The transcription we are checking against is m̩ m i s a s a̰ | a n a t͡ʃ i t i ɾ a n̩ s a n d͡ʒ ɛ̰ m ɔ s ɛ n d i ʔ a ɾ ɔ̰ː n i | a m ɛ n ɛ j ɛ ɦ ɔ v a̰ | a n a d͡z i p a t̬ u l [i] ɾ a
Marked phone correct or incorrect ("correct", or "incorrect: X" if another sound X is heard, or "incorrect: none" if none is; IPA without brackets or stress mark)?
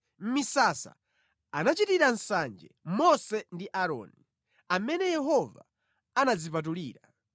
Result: incorrect: iː